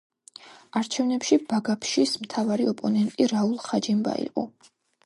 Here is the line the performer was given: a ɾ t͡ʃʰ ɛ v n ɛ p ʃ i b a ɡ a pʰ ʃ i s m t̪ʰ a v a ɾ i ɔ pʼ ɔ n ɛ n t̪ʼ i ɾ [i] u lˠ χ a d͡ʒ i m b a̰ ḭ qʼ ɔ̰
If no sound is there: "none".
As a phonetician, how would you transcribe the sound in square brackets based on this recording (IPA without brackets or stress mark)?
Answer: a